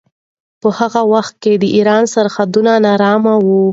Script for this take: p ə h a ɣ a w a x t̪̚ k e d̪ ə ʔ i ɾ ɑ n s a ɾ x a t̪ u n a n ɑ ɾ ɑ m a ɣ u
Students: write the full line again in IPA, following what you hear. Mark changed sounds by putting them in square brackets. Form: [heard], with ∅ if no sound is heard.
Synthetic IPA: p ə h a ɣ a w a x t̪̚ k e d̪ ə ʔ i ɾ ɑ n s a ɾ x a [d̪] u n a n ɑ ɾ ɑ m a [w] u

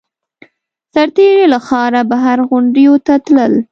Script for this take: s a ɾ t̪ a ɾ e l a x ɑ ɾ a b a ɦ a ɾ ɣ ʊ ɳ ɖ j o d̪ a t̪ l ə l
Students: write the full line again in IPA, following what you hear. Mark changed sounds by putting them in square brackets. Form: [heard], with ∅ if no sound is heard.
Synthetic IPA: s a ɾ t̪ [e] ɾ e l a x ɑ ɾ a b a ɦ a ɾ ɣ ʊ ɳ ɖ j o [t̪] a t̪ l ə l

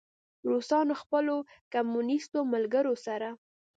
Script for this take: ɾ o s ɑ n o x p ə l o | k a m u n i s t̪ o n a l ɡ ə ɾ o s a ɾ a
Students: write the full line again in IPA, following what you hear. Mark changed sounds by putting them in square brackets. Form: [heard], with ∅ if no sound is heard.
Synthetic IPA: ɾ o s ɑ n o x p ə l o | k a m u n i s t̪ o [m] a l ɡ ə ɾ o s a ɾ a

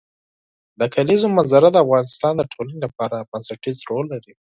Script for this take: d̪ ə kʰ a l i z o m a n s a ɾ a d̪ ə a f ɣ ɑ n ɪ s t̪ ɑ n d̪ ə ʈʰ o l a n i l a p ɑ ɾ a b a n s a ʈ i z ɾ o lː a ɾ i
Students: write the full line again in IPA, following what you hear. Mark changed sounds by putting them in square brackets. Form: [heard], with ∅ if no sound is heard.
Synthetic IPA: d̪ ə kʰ a l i z o m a n [z] a ɾ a d̪ ə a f ɣ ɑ n ɪ s t̪ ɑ n d̪ ə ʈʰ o l a n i l a p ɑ ɾ a b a n s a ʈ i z ɾ o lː a ɾ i

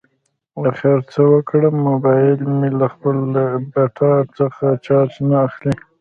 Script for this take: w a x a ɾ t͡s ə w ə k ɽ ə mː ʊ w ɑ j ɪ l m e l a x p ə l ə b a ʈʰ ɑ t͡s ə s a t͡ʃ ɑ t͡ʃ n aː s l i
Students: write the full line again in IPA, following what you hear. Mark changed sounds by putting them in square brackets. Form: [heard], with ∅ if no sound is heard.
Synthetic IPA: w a x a ɾ t͡s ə w ə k ɽ ə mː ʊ [b] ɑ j ɪ l m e l a x p ə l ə b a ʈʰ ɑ t͡s ə [x] a t͡ʃ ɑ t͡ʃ n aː [x] l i

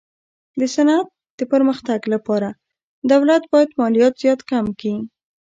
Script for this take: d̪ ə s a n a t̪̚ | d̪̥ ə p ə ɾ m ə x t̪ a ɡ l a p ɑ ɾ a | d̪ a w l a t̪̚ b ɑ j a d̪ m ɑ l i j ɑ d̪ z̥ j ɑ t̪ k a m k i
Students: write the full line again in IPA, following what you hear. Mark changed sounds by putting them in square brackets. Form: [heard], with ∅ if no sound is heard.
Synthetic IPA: d̪ ə s a n a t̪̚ | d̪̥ ə p ə ɾ m ə x t̪ a ɡ l a p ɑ ɾ a | d̪ a w l a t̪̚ b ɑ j a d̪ m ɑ l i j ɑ [t̪] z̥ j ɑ t̪ k a m k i

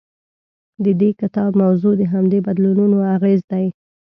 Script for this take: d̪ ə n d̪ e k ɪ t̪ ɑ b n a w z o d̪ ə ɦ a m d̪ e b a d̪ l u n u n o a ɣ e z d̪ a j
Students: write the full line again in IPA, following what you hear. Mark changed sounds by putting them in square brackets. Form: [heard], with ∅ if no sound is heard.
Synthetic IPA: d̪ ə [∅] d̪ e k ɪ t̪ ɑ b [m] a w z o d̪ ə ɦ a m d̪ e b a d̪ l u n u n o a ɣ e z d̪ a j

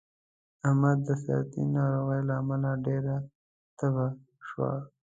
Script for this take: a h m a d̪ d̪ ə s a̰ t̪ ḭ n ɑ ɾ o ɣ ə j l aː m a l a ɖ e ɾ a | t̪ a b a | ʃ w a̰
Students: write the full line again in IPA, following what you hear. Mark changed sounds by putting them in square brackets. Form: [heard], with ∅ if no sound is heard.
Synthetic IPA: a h m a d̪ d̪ ə s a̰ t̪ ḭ n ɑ ɾ o ɣ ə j l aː m a l a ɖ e ɾ a | t̪ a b a | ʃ w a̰

